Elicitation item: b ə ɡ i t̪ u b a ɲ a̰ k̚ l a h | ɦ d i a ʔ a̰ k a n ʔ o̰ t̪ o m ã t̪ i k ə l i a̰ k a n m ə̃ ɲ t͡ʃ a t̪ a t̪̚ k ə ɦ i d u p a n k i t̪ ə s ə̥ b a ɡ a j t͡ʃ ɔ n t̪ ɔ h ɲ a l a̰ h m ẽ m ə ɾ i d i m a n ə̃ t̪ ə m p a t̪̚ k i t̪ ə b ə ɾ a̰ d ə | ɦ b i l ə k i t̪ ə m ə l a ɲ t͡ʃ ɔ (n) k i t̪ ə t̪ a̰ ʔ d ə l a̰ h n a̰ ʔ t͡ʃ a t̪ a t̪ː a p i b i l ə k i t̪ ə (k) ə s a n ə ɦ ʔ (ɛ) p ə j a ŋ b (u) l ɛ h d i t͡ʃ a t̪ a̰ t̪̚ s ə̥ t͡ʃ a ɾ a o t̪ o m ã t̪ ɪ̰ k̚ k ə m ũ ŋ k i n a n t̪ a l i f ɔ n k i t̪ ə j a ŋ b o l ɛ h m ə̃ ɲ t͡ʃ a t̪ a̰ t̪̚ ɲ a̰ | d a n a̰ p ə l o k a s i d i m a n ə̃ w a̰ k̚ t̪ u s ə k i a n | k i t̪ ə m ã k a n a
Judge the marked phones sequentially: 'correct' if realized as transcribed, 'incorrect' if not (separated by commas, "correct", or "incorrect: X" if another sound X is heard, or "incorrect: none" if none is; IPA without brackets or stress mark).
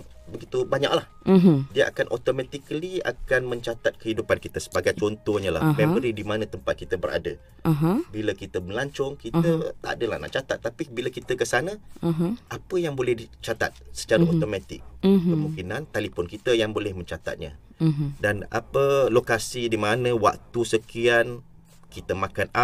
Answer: incorrect: ŋ, correct, incorrect: a, incorrect: o